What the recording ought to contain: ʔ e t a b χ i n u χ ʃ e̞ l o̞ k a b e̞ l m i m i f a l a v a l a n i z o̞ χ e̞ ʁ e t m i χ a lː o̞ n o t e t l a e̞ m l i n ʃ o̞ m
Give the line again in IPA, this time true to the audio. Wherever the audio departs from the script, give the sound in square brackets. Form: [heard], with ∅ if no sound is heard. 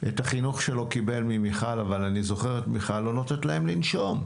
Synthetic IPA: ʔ e t a [∅] χ i n u χ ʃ e̞ l o̞ k [i] b e̞ l m i m i [χ] a l a v a l a n i z o̞ χ e̞ ʁ e t m i χ a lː o̞ n o t e t l a e̞ m l i n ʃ o̞ m